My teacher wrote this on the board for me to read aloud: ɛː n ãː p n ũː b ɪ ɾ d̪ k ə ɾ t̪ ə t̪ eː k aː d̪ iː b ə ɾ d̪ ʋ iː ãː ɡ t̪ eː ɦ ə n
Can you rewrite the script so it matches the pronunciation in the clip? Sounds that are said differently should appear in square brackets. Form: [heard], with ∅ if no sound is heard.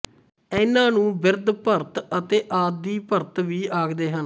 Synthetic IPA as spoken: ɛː n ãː [∅] n ũː b ɪ ɾ d̪ [p] ə ɾ t̪ ə t̪ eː [ʔ] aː d̪ iː [p] ə ɾ [t̪] ʋ iː [aː] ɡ [d̪] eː ɦ ə n